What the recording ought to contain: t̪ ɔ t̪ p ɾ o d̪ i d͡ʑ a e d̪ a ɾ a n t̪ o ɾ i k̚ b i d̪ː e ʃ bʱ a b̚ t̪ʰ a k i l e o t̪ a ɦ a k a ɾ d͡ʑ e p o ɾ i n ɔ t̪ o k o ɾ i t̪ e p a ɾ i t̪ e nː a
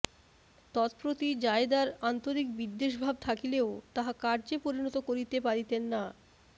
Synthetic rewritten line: t̪ ɔ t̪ p ɾ o t̪ i d͡ʑ a e d̪ a ɾ a n t̪ o ɾ i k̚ b i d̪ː e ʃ bʱ a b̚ t̪ʰ a k i l e o t̪ a ɦ a k a ɾ d͡ʑ e p o ɾ i n ɔ t̪ o k o ɾ i t̪ e p a ɾ i t̪ e nː a

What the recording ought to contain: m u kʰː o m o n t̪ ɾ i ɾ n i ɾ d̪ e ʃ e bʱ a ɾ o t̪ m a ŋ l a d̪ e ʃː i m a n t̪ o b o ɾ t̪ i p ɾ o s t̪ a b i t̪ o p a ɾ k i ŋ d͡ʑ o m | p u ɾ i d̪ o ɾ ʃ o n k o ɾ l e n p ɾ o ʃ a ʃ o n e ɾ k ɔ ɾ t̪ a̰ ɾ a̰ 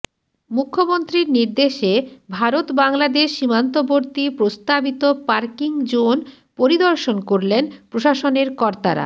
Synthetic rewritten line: m u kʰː o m o n t̪ ɾ i ɾ n i ɾ d̪ e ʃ e bʱ a ɾ o t̪ b a ŋ l a d̪ e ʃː i m a n t̪ o b o ɾ t̪ i p ɾ o s t̪ a b i t̪ o p a ɾ k i ŋ d͡ʑ o n | p o ɾ i d̪ o ɾ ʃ o n k o ɾ l e n p ɾ o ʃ a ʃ o n e ɾ k ɔ ɾ t̪ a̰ ɾ a̰

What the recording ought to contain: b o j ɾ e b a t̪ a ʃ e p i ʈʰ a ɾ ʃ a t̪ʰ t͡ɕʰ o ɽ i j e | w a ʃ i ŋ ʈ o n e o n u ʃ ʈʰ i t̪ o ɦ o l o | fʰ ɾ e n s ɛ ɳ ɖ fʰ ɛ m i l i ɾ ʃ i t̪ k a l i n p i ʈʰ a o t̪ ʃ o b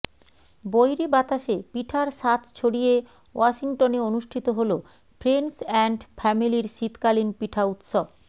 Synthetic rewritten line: b o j ɾ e b a t̪ a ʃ e p i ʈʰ a ɾ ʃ a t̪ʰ t͡ɕʰ o ɽ i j e | w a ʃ i ŋ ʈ o n e o n u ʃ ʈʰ i t̪ o ɦ o l o | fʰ ɾ e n s ɛ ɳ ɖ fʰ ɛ m i l i ɾ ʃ i t̪ k a l i n p i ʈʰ a u t̪ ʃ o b

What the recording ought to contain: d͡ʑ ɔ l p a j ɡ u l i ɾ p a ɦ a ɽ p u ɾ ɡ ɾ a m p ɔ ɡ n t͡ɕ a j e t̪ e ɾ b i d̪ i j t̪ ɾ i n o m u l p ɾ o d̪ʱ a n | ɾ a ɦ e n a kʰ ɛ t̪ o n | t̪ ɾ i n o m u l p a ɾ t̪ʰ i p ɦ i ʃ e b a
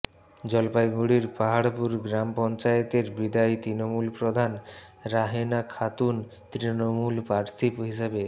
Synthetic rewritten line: d͡ʑ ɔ l p a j ɡ u ɽ i ɾ p a ɦ a ɽ p u ɾ ɡ ɾ a m p ɔ n t͡ɕ a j e t̪ e ɾ b i d̪ a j t̪ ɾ i n o m u l p ɾ o d̪ʱ a n | ɾ a ɦ e n a kʰ a t̪ u n | t̪ ɾ i n o m u l p a ɾ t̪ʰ i p ɦ i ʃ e b e

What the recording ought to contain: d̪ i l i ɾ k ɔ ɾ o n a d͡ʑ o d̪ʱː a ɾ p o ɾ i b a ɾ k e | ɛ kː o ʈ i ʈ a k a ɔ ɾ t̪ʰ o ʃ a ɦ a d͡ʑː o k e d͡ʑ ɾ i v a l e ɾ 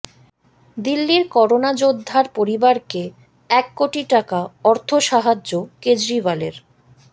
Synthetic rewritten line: d̪ i lː i ɾ k ɔ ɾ o n a d͡ʑ o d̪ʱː a ɾ p o ɾ i b a ɾ k e | ɛ kː o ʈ i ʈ a k a ɔ ɾ t̪ʰ o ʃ a ɦ a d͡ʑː o k e d͡ʑ ɾ i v a l e ɾ

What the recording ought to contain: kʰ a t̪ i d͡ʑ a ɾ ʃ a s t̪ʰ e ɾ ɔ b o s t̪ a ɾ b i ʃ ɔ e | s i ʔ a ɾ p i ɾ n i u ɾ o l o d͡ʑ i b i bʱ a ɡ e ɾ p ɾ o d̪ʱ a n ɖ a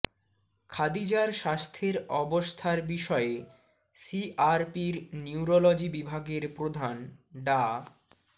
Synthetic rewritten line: kʰ a d̪ i d͡ʑ a ɾ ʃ a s t̪ʰ e ɾ ɔ b o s t̪ʰ a ɾ b i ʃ ɔ e | s i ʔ a ɾ p i ɾ n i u ɾ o l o d͡ʑ i b i bʱ a ɡ e ɾ p ɾ o d̪ʱ a n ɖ a

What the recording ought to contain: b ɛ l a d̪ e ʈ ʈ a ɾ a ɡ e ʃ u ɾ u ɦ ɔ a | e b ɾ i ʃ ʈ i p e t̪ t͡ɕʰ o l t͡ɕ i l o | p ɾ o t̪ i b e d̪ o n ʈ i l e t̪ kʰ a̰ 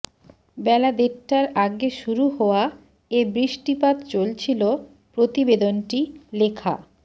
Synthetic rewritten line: b ɛ l a d̪ e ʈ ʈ a ɾ a ɡ e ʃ u ɾ u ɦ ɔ a | e b ɾ i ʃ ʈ i p a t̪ t͡ɕ o l t͡ɕʰ i l o | p ɾ o t̪ i b e d̪ o n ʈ i l e kʰ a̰

